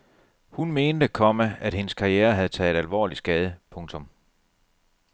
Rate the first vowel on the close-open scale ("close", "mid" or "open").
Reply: close